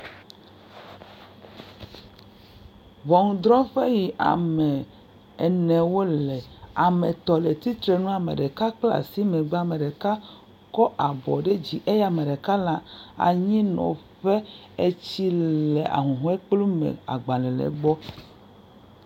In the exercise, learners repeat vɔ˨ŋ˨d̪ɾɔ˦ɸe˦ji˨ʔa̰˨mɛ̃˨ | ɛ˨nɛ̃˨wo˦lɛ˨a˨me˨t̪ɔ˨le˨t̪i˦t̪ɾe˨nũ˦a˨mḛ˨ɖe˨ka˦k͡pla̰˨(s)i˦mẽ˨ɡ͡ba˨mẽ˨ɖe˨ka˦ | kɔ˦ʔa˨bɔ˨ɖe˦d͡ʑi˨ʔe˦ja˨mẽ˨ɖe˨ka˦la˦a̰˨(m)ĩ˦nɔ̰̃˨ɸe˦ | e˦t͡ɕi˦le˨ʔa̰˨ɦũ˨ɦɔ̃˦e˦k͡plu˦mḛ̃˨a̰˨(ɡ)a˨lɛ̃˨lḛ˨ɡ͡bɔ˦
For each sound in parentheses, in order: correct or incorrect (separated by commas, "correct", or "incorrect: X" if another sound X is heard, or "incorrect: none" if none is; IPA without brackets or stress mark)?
correct, incorrect: ɲ, incorrect: ɡ͡b